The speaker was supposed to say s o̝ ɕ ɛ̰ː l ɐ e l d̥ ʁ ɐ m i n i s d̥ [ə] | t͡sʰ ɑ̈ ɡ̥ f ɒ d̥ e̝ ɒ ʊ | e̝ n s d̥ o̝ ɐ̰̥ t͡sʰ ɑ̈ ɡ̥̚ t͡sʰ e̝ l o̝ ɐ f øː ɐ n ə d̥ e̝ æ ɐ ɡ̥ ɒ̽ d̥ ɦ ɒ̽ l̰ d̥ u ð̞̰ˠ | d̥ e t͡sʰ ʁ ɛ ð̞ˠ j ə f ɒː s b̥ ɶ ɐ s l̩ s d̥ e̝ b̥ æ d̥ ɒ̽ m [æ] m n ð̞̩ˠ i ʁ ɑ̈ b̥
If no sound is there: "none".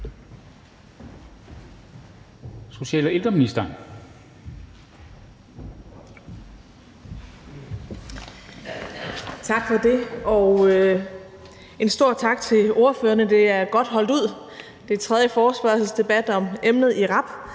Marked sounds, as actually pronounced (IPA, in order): ɐ, e

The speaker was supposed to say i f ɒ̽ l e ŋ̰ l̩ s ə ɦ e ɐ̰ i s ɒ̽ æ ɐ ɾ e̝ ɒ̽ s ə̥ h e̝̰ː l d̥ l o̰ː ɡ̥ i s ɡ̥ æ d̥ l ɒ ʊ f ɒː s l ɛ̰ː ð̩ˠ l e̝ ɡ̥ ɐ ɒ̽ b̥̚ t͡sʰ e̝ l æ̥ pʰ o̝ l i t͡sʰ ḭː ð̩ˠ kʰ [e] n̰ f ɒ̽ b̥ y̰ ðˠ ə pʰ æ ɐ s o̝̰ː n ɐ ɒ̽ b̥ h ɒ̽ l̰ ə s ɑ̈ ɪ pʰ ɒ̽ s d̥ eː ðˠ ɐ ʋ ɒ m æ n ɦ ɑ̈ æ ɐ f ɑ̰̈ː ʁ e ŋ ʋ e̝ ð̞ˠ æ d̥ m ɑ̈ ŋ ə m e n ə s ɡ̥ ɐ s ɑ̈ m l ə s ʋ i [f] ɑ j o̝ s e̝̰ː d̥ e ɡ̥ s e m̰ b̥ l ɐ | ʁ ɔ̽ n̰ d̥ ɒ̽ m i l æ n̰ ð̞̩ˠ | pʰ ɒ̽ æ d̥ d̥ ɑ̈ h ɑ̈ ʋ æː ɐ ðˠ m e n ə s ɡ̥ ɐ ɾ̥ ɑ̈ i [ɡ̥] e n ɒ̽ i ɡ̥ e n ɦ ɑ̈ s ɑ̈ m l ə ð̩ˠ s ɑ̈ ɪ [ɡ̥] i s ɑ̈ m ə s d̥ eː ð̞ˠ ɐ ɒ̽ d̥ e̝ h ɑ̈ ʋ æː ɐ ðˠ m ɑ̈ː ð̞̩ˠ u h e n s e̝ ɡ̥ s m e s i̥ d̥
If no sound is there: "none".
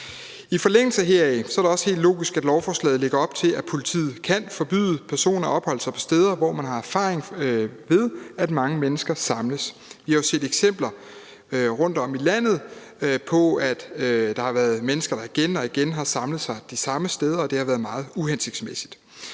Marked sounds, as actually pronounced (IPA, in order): æ, h, ɡ̥, d̥

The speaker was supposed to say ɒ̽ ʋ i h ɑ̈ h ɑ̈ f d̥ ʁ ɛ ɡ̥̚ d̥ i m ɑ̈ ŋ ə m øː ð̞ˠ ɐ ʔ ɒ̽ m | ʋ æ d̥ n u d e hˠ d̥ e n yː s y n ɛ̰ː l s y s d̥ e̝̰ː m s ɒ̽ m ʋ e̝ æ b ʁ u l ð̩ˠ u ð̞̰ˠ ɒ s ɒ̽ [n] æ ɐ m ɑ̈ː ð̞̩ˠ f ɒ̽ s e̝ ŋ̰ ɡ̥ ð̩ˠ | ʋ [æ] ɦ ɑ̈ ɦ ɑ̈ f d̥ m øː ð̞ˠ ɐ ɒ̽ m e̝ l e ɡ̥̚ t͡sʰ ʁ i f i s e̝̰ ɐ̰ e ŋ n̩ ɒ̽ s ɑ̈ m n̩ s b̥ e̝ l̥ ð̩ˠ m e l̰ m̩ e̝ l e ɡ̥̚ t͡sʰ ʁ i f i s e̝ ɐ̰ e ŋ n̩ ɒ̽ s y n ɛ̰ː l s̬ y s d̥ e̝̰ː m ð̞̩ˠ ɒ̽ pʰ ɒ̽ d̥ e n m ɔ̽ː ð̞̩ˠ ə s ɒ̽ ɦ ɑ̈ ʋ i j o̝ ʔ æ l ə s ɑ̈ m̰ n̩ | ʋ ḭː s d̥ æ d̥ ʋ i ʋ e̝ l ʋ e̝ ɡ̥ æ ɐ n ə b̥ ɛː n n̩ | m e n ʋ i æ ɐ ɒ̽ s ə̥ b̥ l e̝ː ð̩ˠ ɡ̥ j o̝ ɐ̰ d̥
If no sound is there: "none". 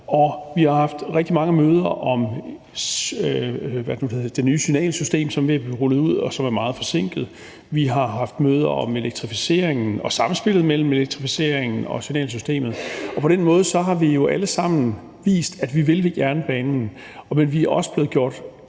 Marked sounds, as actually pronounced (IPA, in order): m, i

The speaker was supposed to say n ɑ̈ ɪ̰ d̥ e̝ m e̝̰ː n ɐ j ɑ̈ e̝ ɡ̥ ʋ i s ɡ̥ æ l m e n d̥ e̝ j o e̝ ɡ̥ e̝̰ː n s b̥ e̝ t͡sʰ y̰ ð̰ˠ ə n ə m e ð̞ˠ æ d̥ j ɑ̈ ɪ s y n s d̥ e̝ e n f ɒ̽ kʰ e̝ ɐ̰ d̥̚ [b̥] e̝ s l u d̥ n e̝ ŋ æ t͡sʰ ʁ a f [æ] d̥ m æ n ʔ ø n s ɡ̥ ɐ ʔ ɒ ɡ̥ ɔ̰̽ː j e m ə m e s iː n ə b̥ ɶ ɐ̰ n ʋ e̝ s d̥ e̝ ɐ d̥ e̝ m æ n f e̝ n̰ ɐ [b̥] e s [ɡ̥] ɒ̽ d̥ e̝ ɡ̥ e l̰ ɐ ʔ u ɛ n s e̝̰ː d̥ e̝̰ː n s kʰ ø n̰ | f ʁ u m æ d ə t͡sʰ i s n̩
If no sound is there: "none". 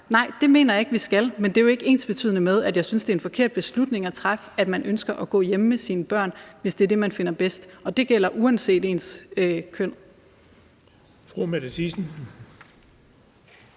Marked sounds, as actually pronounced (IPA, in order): b̥, æ, b̥, d̥

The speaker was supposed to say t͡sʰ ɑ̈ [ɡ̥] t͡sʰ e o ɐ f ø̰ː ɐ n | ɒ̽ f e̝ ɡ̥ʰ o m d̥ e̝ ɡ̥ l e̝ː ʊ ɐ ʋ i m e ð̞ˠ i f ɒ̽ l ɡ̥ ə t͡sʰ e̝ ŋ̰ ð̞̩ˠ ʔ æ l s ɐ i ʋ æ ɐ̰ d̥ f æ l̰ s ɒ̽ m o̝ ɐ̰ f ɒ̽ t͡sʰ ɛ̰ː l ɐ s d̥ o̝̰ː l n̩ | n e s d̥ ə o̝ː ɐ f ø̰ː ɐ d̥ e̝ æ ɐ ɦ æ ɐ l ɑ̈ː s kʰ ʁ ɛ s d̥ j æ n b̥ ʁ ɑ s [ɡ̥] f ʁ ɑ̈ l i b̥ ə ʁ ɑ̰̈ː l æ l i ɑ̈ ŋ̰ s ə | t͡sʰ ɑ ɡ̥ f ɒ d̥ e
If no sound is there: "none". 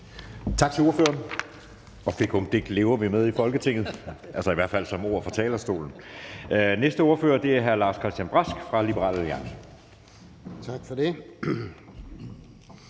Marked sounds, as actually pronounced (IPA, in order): ɡ̥, ɡ̥

